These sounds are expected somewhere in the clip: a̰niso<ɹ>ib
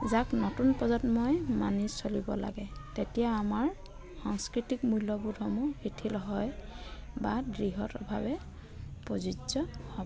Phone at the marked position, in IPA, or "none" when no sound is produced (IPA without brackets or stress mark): l